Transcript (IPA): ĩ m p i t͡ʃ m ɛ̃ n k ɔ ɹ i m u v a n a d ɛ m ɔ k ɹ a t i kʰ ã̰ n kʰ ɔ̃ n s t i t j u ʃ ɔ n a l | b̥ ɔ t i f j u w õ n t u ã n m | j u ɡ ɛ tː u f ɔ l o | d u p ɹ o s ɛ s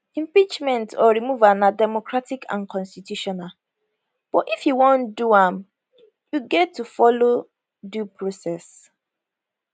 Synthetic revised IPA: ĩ m p i t͡ʃ m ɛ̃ n t ɔ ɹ i m u v a n a d ɛ m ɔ k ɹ a t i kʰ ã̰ n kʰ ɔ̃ n s t i t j u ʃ ɔ n a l | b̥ ɔ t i f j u w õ n d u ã m | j u ɡ ɛ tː u f ɔ l o | d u p ɹ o s ɛ s

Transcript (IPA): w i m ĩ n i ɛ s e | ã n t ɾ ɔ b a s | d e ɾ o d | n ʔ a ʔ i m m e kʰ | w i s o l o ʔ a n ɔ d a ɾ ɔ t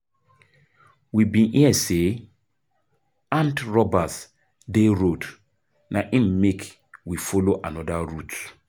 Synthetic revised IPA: w i b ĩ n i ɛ s e | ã n t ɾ ɔ b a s | d e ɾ o d | n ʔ a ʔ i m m e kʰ | w i f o l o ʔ a n ɔ d a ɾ u t

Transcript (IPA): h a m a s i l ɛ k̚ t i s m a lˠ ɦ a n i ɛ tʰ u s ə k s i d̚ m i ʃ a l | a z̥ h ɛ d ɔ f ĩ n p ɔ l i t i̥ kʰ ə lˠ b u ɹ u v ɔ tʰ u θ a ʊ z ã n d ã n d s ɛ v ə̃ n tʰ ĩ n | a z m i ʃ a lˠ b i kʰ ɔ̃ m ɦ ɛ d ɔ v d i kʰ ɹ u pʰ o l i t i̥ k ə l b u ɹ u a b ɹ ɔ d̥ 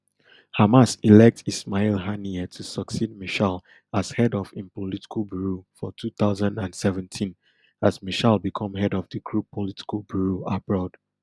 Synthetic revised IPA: h a m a s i l ɛ k̚ t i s m a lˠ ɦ a n i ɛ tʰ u s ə k s i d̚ m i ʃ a l | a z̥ h ɛ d ɔ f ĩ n p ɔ l i t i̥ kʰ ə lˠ b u ɹ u f ɔ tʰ u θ a ʊ z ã n d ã n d s ɛ v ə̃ n tʰ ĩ n | a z m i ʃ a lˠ b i kʰ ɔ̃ m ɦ ɛ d ɔ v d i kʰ ɹ u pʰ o l i t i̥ k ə l b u ɹ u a b ɹ ɔ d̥

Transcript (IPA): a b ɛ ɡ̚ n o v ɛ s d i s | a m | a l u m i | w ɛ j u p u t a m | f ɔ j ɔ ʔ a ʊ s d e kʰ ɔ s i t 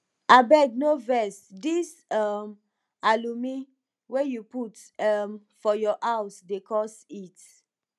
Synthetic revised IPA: a b ɛ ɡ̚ n o v ɛ s d i s | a m | a l u m i | w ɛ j u p u t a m | f ɔ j ɔ ʔ a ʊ s d e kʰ ɔ s i t

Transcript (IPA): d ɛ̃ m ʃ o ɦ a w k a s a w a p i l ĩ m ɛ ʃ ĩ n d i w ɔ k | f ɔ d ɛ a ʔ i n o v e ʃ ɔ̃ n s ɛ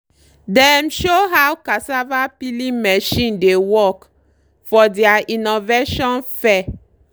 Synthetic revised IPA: d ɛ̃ m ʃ o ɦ a w k a s a v a p i l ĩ m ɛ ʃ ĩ n d e w ɔ k | f ɔ d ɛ a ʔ i n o v e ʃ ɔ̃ n f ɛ

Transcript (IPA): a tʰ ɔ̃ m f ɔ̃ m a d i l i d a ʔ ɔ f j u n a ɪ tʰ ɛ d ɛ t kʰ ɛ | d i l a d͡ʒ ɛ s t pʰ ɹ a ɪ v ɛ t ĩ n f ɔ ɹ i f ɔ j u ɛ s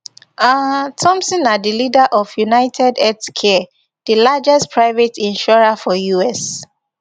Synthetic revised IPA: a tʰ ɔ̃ m s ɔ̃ n a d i l i d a ʔ ɔ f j u n a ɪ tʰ ɛ d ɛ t kʰ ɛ | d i l a d͡ʒ ɛ s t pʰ ɹ a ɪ v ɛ t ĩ n ʃ ɔ ɹ a f ɔ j u ɛ s

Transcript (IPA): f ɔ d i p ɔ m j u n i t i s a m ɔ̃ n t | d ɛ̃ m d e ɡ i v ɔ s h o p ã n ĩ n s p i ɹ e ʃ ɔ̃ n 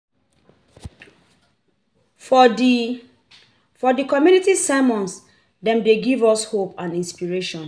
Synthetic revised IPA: f ɔ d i k ɔ m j u n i t i s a m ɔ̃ n s | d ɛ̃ m d e ɡ i v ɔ s h o p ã n ĩ n s p i ɹ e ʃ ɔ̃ n

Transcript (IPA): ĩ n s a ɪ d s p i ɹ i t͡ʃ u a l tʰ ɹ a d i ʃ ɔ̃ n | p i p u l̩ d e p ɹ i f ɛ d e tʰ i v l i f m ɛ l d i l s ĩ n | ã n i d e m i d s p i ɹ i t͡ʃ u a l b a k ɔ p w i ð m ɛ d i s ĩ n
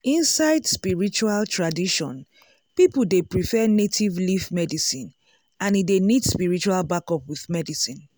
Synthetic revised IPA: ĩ n s a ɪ d s p i ɹ i t͡ʃ u a l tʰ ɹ a d i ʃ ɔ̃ n | p i p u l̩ d e p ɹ i f ɛ n e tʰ i v l i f m ɛ d i s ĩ n | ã n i d e n i d s p i ɹ i t͡ʃ u a l b a k ɔ p w i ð m ɛ d i s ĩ n

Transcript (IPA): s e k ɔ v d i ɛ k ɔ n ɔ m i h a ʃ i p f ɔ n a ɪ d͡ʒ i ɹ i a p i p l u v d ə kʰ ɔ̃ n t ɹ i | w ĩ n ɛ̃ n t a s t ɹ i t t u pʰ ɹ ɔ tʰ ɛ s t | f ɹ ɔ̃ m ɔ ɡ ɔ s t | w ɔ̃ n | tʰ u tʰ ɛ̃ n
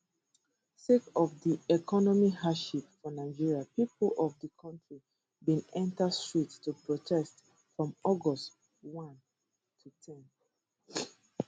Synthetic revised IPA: s e k ɔ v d i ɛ k ɔ n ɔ m i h a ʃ i p f ɔ n a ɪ d͡ʒ i ɹ i a p i p l ɔ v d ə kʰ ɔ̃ n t ɹ i | b ĩ n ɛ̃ n t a s t ɹ i t t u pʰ ɹ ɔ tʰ ɛ s t | f ɹ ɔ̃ m ɔ ɡ ɔ s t | w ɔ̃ n | tʰ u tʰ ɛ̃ n

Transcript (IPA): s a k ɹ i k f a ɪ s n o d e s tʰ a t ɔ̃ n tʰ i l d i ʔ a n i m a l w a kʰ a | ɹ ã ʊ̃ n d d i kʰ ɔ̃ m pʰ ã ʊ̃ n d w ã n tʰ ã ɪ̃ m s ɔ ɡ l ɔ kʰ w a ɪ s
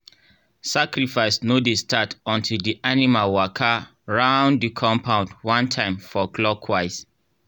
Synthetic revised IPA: s a k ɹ i f a ɪ s n o d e s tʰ a t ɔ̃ n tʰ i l d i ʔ a n i m a l w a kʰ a | ɹ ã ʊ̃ n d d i kʰ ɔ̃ m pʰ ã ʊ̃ n d w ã n tʰ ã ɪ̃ m f ɔ ɡ l ɔ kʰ w a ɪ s

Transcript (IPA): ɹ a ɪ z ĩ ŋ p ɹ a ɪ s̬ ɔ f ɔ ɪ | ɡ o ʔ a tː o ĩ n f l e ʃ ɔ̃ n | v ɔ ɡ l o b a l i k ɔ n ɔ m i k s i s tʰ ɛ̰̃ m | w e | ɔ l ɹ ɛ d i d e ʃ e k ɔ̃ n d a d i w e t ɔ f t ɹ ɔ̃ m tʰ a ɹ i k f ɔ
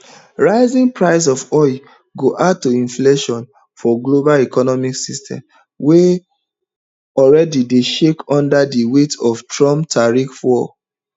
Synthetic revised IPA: ɹ a ɪ z ĩ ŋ p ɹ a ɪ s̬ ɔ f ɔ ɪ | ɡ o ʔ a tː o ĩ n f l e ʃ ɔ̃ n | f ɔ ɡ l o b a l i k ɔ n ɔ m i k s i s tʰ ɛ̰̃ m | w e | ɔ l ɹ ɛ d i d e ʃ e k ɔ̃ n d a d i w e t ɔ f t ɹ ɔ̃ m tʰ a ɹ i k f ɔ

